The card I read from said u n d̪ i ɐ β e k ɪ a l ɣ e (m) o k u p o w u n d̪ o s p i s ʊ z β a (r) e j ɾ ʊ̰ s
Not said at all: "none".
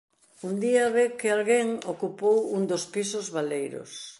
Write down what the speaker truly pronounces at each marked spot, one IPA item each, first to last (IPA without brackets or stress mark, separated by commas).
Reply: ŋ, l